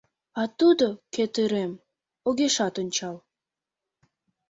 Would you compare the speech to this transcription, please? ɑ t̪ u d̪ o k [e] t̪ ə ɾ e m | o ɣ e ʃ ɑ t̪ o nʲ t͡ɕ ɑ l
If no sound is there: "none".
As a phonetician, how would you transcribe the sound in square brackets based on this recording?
e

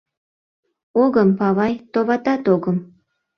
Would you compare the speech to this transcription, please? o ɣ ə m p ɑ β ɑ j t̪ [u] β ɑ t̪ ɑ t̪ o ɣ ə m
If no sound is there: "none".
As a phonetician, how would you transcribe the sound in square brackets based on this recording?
o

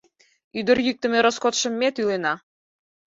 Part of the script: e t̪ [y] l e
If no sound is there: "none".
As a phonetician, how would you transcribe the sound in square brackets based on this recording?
y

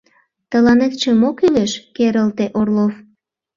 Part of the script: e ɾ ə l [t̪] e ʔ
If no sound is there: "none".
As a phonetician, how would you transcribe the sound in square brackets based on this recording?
t̪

